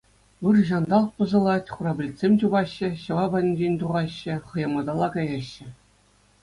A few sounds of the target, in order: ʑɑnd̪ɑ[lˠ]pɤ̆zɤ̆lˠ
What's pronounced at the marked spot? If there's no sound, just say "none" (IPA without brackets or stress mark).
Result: lˠ